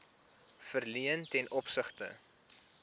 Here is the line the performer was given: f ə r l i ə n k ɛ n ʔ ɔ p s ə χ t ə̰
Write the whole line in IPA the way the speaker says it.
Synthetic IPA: f ə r l i ə n t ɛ n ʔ ɔ p s ə χ t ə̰

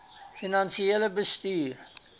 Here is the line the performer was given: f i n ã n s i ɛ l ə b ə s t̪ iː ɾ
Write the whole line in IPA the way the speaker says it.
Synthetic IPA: f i n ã n s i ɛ l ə b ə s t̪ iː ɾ

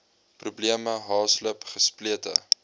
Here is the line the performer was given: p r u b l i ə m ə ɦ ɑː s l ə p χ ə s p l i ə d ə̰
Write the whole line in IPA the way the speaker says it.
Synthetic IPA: p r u b l i ə m ə ɦ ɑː s l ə p χ ə s p l i ə t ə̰

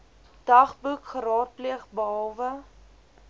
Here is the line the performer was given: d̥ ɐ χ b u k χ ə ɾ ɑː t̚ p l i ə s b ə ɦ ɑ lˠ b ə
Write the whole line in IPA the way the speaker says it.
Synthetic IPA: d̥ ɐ χ b u k χ ə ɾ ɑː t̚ p l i ə χ b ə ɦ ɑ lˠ v ə

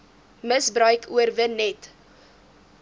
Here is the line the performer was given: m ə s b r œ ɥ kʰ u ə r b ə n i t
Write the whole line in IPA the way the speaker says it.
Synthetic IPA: m ə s b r œ ɥ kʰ u ə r v ə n ɛ t

